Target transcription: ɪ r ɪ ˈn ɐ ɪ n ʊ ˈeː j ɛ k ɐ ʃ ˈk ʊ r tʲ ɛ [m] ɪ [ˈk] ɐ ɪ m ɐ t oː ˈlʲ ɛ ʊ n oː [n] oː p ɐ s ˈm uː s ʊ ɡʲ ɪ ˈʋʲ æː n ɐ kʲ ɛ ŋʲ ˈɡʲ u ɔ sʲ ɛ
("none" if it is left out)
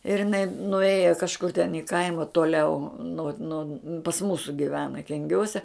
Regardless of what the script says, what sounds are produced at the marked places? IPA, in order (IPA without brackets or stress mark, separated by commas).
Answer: n, k, n